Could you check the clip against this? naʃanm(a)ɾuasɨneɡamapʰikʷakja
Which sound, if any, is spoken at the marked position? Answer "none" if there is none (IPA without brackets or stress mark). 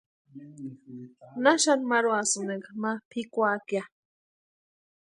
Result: a